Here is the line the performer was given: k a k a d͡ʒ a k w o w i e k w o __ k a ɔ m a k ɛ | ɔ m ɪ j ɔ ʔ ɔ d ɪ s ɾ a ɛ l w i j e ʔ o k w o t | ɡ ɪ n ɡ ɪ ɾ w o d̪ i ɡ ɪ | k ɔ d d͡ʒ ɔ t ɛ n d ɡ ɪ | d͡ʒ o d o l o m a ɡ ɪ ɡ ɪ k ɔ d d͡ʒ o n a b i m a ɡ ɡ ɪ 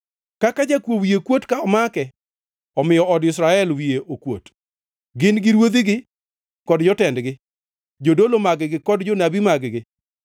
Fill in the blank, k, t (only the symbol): t